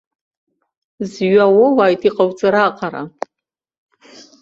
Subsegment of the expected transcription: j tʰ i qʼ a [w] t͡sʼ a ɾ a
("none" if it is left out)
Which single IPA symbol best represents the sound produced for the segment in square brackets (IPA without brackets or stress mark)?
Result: w